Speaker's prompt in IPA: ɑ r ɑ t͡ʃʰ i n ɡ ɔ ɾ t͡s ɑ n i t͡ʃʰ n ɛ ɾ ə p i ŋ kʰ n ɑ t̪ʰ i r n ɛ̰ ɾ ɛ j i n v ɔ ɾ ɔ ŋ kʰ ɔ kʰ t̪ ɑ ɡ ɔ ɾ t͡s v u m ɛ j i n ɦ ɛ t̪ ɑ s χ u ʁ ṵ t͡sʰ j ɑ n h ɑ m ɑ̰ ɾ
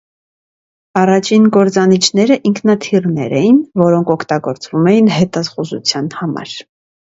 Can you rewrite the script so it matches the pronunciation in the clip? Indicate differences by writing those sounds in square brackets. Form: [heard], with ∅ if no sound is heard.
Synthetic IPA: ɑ r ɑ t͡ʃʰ i n ɡ ɔ ɾ t͡s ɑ n i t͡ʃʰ n ɛ ɾ ə [ʔ] i ŋ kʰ n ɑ t̪ʰ i r n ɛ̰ ɾ ɛ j i n v ɔ ɾ ɔ ŋ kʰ ɔ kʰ t̪ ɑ ɡ ɔ ɾ t͡s v u m ɛ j i n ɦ ɛ t̪ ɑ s χ u [z] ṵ t͡sʰ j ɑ n h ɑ m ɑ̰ ɾ